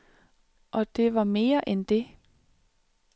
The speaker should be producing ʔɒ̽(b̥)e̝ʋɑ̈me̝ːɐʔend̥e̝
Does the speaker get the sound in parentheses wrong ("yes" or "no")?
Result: yes